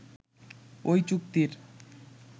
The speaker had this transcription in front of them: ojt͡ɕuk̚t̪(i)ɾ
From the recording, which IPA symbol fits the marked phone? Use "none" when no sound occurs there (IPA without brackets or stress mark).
i